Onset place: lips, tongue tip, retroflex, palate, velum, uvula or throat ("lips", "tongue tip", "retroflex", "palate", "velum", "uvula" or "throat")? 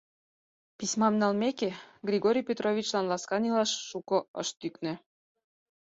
lips